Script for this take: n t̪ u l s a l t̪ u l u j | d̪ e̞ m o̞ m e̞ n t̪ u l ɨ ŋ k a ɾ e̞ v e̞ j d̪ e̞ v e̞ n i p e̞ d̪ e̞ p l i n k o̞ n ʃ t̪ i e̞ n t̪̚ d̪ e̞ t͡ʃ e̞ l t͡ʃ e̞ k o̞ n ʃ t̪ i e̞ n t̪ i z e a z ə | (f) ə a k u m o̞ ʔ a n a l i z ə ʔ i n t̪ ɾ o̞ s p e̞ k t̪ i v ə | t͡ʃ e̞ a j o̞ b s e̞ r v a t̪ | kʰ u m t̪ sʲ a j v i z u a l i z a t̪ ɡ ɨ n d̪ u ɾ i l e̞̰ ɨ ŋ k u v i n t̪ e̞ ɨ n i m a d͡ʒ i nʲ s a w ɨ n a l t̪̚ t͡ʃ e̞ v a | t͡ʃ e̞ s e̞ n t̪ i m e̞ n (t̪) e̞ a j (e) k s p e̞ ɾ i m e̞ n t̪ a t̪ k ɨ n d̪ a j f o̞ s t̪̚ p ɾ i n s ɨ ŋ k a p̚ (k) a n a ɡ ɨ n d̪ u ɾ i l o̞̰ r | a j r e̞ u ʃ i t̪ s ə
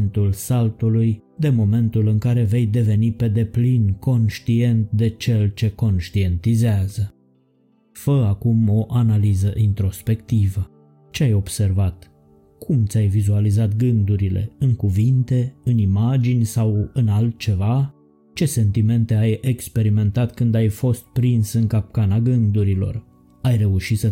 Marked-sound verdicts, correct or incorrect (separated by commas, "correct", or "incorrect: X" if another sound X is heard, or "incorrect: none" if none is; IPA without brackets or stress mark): correct, correct, correct, correct